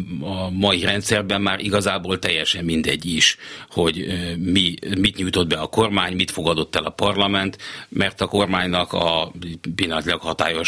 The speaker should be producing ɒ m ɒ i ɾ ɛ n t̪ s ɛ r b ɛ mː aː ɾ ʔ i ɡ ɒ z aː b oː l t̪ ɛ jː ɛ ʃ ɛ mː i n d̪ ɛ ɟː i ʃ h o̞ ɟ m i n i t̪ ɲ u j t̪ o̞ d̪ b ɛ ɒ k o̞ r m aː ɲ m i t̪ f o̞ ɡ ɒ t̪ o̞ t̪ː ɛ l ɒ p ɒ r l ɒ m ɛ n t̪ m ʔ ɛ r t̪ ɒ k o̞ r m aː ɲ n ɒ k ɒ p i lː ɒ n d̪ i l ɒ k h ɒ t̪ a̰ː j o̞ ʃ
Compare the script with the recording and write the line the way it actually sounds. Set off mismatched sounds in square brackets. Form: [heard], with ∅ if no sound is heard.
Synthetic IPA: ɒ m ɒ i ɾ ɛ n t̪ s ɛ r b ɛ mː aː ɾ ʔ i ɡ ɒ z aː b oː l t̪ ɛ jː ɛ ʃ ɛ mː i n d̪ ɛ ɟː i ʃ h o̞ ɟ m i [m] i t̪ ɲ u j t̪ o̞ d̪ b ɛ ɒ k o̞ r m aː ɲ m i t̪ f o̞ ɡ ɒ [d̪] o̞ t̪ː ɛ l ɒ p ɒ r l ɒ m ɛ n t̪ m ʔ ɛ r t̪ ɒ k o̞ r m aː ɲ n ɒ k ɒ p i lː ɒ n [t̪] i l ɒ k h ɒ t̪ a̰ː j o̞ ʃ